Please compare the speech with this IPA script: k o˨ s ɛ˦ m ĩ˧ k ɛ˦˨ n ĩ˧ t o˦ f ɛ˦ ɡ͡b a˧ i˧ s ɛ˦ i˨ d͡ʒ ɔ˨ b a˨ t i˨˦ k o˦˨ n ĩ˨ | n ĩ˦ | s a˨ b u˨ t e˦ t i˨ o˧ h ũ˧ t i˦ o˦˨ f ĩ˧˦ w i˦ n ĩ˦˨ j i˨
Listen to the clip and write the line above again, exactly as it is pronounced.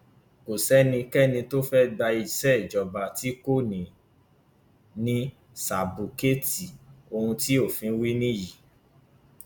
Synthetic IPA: k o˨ s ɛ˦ n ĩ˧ k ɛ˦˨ n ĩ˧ t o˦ f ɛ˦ ɡ͡b a˧ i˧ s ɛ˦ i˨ d͡ʒ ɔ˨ b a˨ t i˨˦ k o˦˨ n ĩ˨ | n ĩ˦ | s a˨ b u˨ k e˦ t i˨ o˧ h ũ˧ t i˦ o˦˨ f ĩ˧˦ w i˦ n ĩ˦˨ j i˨